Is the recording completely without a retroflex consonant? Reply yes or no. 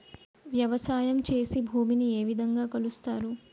yes